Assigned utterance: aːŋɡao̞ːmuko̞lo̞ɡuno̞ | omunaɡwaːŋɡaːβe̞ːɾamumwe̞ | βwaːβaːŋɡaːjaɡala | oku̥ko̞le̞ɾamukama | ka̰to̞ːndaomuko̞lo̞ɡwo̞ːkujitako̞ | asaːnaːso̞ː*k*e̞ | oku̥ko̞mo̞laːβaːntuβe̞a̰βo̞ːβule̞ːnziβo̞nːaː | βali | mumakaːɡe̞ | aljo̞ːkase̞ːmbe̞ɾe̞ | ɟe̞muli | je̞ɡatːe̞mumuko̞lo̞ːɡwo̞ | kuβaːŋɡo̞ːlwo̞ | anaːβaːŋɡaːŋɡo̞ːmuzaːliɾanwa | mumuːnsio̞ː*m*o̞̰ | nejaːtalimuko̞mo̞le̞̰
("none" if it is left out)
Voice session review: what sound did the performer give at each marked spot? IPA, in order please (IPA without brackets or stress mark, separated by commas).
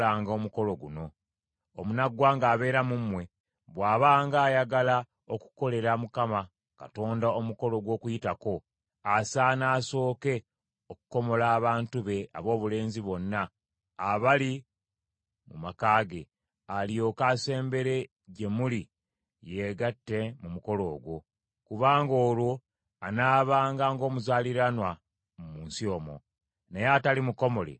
k, m